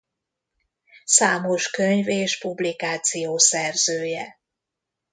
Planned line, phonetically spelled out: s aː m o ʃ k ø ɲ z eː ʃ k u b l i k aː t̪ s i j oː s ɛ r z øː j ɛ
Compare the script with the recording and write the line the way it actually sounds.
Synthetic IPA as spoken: s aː m o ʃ k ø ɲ v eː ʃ p u b l i k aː t̪ s i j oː s ɛ r z øː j ɛ

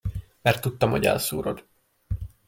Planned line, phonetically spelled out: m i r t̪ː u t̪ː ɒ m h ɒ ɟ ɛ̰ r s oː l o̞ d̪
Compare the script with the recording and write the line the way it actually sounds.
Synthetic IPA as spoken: m ɛ r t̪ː u t̪ː ɒ m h o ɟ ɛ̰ l s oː ɾ o̞ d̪

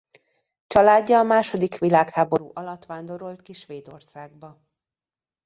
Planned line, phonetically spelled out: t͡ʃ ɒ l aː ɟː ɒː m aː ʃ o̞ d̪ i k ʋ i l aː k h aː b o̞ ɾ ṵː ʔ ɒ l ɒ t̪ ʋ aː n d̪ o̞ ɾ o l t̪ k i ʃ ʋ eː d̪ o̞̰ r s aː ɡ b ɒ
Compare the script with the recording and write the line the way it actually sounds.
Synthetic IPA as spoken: t͡ʃ ɒ l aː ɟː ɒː m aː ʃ o̞ d̪ i k ʋ i l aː k h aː b o̞ ɾ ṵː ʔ ɒ l ɒ t̪ ʋ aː n d̪ o̞ ɾ o l t̪ k i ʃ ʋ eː d̪ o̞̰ r s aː ɡ b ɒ

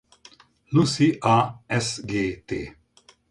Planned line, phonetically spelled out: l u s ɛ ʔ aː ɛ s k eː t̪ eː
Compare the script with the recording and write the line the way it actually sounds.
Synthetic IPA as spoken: l u s i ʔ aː ɛ s ɡ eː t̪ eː

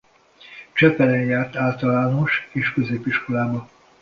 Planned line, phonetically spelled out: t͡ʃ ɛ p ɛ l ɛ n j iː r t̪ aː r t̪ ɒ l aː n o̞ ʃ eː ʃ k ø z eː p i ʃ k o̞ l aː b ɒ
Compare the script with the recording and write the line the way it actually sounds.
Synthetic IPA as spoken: t͡ʃ ɛ p ɛ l ɛ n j aː r t̪ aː l t̪ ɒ l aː n o̞ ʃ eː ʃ k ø z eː p i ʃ k o̞ l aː b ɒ

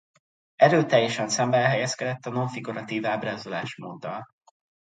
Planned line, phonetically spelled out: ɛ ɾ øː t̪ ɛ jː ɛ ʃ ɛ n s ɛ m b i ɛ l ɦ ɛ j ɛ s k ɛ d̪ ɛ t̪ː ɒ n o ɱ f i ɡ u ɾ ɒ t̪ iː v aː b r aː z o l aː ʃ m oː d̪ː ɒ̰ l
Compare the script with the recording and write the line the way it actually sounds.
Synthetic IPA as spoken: ɛ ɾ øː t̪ ɛ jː ɛ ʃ ɛ n s ɛ m b ɛ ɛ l ɦ ɛ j ɛ s k ɛ d̪ ɛ t̪ː ɒ n o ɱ f i ɡ u ɾ ɒ t̪ iː v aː b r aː z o l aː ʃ m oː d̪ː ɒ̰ l

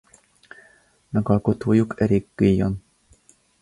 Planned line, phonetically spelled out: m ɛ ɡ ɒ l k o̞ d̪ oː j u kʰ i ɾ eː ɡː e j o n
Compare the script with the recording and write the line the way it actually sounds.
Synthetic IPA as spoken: m ɛ ɡ ɒ l k o̞ t̪ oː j u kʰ ɛ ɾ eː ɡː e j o n

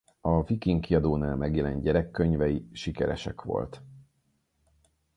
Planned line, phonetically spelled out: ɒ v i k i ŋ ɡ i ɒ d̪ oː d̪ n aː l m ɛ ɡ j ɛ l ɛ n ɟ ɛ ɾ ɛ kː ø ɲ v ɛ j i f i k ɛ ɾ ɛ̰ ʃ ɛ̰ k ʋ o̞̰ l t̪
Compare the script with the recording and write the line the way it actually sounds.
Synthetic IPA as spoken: ɒ v i k i ŋ k i ɒ d̪ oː n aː l m ɛ ɡ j ɛ l ɛ n ɟ ɛ ɾ ɛ kː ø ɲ v ɛ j i ʃ i k ɛ ɾ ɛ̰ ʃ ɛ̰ k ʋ o̞̰ l t̪

